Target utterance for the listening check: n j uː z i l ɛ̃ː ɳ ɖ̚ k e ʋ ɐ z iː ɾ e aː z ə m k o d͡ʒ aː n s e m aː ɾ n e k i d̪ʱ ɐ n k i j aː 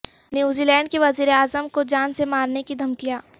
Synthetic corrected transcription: n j uː z i l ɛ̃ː ɳ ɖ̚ k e ʋ ɐ z iː ɾ e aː z ə m k o d͡ʒ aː n s e m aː ɾ n e k i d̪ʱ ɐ m k i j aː